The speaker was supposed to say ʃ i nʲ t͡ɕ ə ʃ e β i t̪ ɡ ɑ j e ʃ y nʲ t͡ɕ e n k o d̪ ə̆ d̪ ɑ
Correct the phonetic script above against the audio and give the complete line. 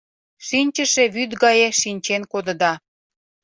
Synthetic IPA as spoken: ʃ i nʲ t͡ɕ ə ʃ e β y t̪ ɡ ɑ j e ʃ i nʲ t͡ɕ e n k o d̪ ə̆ d̪ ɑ